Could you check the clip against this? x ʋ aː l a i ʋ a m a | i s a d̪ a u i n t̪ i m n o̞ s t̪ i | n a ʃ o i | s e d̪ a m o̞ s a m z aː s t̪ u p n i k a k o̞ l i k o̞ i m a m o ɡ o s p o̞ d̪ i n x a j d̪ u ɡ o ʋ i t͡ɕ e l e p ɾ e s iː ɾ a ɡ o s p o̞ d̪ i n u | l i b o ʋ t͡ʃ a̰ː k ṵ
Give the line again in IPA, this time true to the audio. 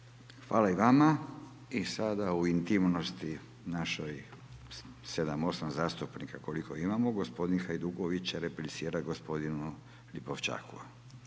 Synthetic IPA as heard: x ʋ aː l a i ʋ a m a | i s a d̪ a u i n t̪ i m n o̞ s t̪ i | n a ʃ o j | s e d̪ a m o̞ s a m z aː s t̪ u p n i k a k o̞ l i k o̞ i m a m o ɡ o s p o̞ d̪ i n x a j d̪ u ɡ o ʋ i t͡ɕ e ɾ e p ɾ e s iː ɾ a ɡ o s p o̞ d̪ i n u | l i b o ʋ t͡ʃ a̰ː k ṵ